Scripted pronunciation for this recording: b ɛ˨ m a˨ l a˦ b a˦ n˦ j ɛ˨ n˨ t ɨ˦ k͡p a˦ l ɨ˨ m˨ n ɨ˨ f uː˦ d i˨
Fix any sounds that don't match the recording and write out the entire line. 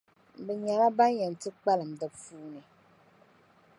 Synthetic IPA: b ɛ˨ ɲ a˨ l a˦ b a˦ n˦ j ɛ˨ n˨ t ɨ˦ k͡p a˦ l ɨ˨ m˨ d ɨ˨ f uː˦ n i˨